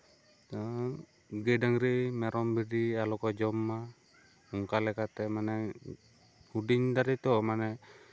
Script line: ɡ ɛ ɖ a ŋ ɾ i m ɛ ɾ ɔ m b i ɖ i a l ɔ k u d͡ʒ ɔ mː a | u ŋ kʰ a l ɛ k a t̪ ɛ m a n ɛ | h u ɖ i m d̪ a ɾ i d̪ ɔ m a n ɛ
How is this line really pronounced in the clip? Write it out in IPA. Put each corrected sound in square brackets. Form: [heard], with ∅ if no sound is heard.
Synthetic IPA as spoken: ɡ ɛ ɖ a ŋ ɾ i m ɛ ɾ ɔ m b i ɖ i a l ɔ k [ɔ] d͡ʒ ɔ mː a | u ŋ [k] a l ɛ k a t̪ ɛ m a n ɛ | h u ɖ i [ɲ] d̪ a ɾ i [t̪] ɔ m a n ɛ